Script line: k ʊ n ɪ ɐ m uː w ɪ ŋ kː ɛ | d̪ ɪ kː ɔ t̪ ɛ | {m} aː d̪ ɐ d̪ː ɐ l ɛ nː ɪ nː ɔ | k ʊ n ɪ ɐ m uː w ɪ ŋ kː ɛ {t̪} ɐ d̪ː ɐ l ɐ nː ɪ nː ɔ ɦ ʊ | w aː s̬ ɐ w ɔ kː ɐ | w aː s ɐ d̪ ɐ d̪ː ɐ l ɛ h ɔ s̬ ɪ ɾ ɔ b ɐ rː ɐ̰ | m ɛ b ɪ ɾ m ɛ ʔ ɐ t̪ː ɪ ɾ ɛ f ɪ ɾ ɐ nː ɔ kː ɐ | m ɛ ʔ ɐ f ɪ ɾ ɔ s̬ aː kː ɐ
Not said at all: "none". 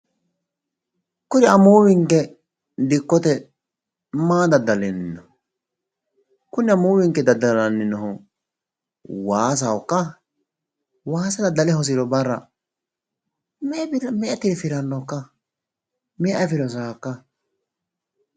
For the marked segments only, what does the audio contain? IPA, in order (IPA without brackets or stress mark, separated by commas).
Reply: m, d̪